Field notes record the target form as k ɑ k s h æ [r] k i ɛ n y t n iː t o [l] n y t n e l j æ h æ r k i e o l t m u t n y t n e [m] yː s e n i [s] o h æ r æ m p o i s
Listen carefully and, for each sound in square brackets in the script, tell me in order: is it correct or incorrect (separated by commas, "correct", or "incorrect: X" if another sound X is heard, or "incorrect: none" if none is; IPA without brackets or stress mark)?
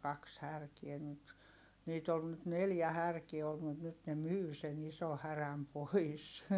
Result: correct, correct, correct, correct